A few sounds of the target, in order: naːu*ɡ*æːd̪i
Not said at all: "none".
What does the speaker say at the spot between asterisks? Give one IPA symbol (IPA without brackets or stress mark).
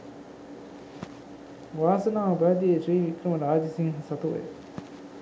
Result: b